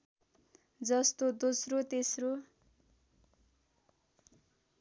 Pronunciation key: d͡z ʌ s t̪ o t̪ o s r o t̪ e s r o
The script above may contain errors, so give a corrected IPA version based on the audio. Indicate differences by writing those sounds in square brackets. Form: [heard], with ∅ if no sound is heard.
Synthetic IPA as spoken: d͡z ʌ s t̪ o [d̪] o s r o t̪ e s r o